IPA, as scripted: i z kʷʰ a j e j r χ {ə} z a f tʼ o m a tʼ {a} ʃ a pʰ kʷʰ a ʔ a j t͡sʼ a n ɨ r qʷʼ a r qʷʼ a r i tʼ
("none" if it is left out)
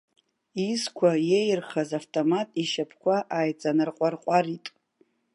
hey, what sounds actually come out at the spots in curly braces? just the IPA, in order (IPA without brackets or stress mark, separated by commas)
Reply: a, i